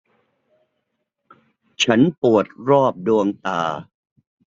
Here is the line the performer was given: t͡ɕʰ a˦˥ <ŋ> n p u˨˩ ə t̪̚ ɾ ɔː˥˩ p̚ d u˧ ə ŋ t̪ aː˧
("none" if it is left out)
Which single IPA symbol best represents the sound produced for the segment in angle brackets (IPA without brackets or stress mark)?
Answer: none